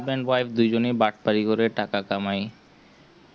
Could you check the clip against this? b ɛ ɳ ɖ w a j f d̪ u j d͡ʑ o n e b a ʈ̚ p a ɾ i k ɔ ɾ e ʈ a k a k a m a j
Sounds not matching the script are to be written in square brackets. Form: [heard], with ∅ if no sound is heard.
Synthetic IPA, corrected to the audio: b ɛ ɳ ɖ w a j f d̪ u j d͡ʑ o n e b a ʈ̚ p a ɾ i k [o] ɾ e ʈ a k a k a m a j